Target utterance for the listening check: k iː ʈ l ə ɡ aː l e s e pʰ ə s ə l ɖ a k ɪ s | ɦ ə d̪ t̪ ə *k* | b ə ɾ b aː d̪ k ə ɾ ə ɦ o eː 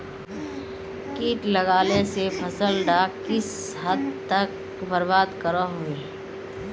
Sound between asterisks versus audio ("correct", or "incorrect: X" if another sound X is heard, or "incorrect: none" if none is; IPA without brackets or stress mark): correct